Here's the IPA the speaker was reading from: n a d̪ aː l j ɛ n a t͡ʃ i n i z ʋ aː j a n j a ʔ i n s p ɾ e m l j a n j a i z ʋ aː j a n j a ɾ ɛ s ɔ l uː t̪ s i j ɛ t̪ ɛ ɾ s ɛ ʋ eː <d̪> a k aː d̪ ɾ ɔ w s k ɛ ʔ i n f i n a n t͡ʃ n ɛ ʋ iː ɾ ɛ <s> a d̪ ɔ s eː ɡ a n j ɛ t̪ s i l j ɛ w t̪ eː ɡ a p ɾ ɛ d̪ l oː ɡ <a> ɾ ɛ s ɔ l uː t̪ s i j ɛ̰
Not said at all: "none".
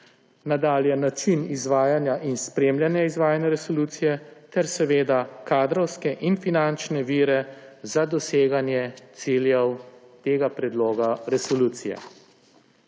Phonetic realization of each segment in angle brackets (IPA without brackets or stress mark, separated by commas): d̪, z, a